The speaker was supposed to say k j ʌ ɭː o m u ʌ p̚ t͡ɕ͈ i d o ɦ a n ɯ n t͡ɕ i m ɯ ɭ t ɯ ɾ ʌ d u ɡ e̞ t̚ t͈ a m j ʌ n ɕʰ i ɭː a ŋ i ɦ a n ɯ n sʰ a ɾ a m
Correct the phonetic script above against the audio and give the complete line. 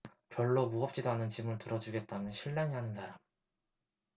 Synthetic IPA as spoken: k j ʌ ɭː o m u ʌ p̚ t͡ɕ͈ i d o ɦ a n ɯ n t͡ɕ i m ɯ ɭ t ɯ ɾ ʌ d͡ʑ u ɡ e̞ t̚ t͈ a m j ʌ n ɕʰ i ɭː a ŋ i ɦ a n ɯ n sʰ a ɾ a m